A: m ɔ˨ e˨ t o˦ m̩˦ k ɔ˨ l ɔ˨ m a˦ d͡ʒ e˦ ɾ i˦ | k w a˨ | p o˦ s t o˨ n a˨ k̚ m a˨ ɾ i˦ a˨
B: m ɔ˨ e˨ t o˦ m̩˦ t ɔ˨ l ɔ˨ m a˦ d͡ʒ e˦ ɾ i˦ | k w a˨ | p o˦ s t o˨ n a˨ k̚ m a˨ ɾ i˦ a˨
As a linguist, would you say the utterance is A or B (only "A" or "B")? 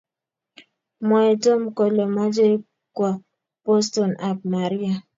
A